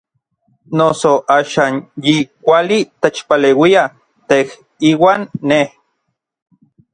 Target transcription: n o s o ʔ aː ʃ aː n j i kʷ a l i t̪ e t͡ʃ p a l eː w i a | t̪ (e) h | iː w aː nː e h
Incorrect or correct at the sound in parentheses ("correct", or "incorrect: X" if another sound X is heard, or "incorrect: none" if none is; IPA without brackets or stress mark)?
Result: correct